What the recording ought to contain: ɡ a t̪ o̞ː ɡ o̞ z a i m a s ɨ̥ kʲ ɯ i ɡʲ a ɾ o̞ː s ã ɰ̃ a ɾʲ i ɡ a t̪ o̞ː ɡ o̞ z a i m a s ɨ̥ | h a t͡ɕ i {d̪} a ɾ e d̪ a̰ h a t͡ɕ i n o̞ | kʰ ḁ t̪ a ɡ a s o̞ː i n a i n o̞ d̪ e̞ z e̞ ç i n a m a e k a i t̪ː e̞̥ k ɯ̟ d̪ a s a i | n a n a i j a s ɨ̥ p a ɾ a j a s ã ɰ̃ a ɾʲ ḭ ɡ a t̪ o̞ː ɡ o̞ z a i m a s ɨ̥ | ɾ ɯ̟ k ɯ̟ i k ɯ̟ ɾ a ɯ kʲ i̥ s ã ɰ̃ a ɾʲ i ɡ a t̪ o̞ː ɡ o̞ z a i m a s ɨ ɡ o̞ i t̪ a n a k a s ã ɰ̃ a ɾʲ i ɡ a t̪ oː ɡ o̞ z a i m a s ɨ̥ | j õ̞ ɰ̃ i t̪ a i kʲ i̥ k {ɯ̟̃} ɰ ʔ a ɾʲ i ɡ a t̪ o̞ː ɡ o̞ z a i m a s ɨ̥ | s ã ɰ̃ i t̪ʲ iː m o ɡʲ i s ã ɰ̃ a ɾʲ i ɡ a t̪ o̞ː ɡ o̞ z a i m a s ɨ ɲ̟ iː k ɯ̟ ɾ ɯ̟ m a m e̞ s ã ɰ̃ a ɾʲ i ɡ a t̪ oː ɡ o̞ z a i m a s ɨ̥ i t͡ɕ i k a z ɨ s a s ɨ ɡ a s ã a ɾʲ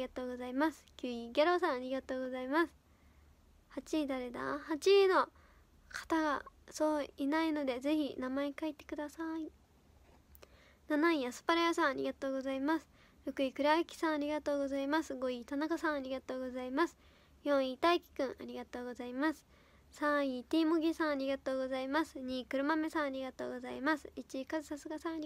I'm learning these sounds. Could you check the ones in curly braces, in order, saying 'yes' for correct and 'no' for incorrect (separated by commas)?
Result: yes, yes